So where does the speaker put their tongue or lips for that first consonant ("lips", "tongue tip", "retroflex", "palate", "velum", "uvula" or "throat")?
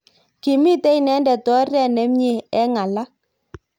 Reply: velum